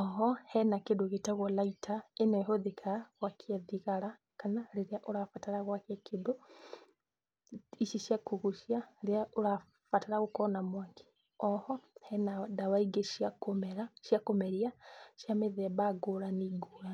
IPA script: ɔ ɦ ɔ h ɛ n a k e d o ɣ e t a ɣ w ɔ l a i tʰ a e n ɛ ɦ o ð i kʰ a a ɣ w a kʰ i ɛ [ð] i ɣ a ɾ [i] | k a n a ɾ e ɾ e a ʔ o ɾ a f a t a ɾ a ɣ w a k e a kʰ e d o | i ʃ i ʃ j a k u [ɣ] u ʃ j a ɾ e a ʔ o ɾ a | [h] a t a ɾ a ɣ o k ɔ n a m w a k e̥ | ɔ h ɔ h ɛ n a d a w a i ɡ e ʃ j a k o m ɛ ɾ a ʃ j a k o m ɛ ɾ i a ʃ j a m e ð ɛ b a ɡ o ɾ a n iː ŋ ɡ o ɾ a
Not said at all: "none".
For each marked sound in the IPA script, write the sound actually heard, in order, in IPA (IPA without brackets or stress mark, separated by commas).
ð, a, ɣ, f